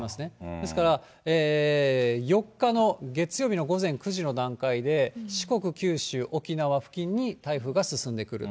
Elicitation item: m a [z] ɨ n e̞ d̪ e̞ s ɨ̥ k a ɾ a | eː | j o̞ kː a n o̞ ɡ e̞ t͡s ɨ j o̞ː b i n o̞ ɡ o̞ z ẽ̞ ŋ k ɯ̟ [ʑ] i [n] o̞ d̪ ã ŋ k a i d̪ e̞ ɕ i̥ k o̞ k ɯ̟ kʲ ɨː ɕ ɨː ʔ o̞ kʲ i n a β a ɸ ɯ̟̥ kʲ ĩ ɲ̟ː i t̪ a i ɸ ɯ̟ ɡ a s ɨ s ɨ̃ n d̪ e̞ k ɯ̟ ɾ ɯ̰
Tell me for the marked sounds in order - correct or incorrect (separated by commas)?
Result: incorrect, correct, correct